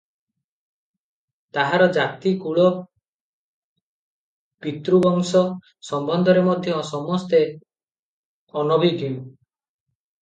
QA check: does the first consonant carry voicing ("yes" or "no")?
no